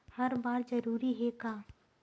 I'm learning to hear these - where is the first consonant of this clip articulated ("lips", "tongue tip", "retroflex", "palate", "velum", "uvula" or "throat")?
throat